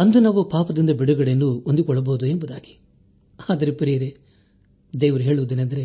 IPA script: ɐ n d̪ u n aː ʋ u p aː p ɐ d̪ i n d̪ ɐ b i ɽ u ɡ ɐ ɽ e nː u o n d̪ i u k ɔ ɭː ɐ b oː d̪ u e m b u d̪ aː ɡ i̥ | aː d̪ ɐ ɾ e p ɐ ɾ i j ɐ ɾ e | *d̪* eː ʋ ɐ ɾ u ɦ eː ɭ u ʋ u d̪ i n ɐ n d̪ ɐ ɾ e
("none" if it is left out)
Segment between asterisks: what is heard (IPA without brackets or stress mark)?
d̪